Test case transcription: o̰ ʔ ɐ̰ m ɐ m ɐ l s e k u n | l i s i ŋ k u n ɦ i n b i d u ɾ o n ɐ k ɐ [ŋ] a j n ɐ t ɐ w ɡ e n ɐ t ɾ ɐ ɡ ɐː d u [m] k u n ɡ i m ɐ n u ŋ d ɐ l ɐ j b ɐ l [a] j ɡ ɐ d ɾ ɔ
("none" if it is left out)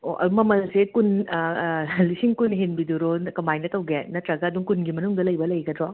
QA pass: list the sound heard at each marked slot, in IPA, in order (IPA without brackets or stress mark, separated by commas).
m, ŋ, ɐ